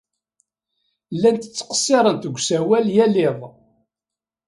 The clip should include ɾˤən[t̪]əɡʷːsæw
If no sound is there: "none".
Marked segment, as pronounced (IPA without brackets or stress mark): t̪